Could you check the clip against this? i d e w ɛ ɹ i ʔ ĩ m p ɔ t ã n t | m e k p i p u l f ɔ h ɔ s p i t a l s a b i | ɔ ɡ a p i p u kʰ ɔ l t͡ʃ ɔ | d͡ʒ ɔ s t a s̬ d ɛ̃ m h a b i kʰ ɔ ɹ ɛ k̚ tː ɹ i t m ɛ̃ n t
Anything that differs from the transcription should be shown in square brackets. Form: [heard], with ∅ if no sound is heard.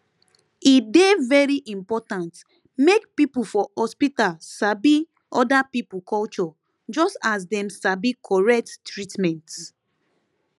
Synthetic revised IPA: i d e [v] ɛ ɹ i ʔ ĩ m p ɔ t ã n t | m e k p i p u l f ɔ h ɔ s p i t a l s a b i | ɔ [d] a p i p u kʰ ɔ l t͡ʃ ɔ | d͡ʒ ɔ s t a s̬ d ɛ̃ m [s] a b i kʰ ɔ ɹ ɛ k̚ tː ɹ i t m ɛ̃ n t

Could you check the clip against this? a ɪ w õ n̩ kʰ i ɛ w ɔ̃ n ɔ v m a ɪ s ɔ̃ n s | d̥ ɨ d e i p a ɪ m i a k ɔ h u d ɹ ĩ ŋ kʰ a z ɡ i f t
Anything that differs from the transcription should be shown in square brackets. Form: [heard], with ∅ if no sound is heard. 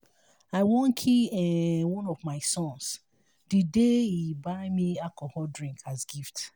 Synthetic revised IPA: a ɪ w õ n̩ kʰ i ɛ w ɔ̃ n ɔ v m a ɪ s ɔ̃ n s | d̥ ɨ d e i [b] a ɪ m i a k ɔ h [ɔ] d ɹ ĩ ŋ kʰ a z ɡ i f t

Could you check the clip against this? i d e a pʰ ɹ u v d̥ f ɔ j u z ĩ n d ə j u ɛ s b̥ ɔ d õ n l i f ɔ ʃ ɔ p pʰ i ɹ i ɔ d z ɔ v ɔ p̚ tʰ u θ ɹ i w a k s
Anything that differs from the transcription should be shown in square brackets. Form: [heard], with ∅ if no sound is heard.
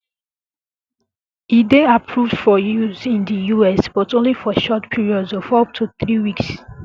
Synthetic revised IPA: i d e a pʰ ɹ u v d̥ f ɔ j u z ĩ n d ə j u ɛ s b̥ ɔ [t] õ n l i f ɔ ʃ ɔ [t] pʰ i ɹ i ɔ d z ɔ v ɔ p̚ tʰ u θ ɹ i w [i] k s

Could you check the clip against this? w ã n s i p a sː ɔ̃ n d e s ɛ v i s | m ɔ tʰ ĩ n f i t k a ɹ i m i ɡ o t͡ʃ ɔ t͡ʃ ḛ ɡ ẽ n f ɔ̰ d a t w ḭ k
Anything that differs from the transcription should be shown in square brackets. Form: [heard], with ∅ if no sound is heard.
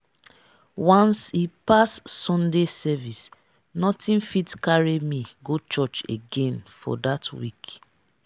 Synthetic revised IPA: w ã n s i p a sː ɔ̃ n d e s ɛ v i s | [n] ɔ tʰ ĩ n f i t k a ɹ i m i ɡ o t͡ʃ ɔ t͡ʃ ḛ ɡ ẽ n f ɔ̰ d a t w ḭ k

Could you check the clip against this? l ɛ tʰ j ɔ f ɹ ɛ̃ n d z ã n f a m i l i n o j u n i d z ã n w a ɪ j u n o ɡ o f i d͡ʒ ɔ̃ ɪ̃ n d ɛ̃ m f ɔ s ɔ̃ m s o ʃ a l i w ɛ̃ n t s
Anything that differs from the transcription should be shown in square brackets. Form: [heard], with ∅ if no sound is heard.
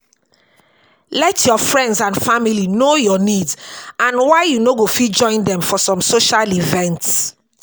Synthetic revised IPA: l ɛ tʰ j ɔ f ɹ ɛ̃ n d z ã n f a m i l i n o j [ɔ] n i d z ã n w a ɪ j u n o ɡ o f i d͡ʒ ɔ̃ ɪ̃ n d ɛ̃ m f ɔ s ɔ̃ m s o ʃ a l i [v] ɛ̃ n t s

